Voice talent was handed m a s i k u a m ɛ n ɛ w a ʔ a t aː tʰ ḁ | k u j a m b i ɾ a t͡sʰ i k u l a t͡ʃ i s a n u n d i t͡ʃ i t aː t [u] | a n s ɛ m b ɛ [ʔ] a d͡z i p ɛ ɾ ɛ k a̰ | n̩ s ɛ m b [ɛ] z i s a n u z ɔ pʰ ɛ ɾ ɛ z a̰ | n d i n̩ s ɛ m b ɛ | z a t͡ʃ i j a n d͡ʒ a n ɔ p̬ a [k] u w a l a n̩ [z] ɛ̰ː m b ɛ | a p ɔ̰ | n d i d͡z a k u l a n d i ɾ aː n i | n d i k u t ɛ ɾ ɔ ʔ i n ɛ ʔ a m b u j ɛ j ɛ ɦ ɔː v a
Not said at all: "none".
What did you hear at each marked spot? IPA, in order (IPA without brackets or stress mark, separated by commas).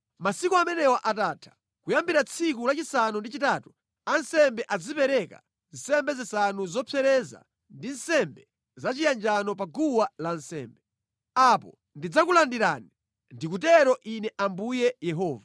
u, ʔ, ɛ, ɡ, s